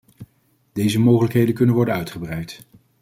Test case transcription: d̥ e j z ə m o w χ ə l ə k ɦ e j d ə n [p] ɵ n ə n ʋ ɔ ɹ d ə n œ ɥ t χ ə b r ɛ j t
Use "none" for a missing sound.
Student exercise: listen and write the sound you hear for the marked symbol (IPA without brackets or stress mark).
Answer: k